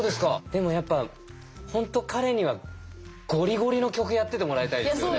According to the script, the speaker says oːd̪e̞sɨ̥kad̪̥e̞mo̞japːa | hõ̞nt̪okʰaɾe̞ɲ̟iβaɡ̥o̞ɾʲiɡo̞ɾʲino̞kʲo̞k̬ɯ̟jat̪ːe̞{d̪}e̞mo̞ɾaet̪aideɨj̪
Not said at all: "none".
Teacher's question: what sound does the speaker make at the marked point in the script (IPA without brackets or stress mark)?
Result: t̪